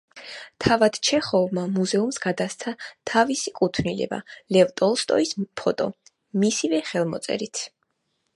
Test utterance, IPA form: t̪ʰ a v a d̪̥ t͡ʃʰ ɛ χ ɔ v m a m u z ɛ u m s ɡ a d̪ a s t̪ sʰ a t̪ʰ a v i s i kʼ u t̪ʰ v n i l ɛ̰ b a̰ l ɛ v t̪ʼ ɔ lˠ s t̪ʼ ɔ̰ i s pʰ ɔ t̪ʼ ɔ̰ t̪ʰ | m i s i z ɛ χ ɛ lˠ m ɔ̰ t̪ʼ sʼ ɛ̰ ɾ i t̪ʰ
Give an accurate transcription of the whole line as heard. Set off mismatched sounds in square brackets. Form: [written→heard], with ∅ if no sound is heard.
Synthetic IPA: t̪ʰ a v a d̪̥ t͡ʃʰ ɛ χ ɔ v m a m u z ɛ u m s ɡ a d̪ a s t̪ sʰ a t̪ʰ a v i s i kʼ u t̪ʰ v n i l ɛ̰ b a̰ l ɛ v t̪ʼ ɔ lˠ s t̪ʼ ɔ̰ i s pʰ ɔ t̪ʼ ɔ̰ [t̪ʰ→∅] | m i s i [z→v] ɛ χ ɛ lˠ m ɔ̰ [t̪ʼ→t̪] sʼ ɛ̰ ɾ i t̪ʰ